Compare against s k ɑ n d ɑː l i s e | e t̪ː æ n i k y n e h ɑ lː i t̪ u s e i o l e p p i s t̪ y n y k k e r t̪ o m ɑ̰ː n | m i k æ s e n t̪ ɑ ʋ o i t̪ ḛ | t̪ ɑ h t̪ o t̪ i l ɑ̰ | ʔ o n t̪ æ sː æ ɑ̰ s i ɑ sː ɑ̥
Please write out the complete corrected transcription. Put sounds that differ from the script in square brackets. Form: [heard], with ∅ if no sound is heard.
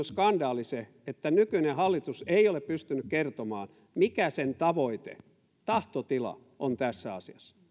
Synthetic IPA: s k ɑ n d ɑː l i s e | e t̪ː æ n [y] k y n e h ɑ lː i t̪ u s e i o l e p p [y] s t̪ y n y k k e r t̪ o m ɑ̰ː n | m i k æ s e n t̪ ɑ ʋ o i t̪ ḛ | t̪ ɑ h t̪ o t̪ i l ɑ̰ | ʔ o n t̪ æ sː æ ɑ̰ s i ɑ sː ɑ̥